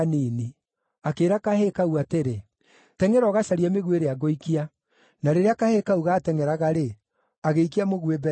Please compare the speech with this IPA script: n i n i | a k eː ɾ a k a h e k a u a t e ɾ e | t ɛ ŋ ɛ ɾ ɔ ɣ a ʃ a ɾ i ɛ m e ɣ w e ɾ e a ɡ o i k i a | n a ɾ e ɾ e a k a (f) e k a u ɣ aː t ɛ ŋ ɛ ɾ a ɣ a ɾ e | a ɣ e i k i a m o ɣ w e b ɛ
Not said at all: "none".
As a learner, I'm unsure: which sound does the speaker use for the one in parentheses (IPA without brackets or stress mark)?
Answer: h